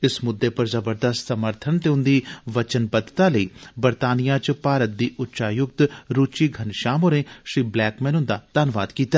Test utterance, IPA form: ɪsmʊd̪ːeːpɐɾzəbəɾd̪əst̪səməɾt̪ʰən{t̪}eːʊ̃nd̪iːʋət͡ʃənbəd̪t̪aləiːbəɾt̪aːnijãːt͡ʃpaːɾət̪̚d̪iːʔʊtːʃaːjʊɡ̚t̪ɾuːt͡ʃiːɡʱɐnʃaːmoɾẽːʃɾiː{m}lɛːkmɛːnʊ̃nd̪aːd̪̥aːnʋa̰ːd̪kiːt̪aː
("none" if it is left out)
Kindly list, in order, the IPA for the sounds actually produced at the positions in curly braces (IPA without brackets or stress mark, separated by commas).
t̪, b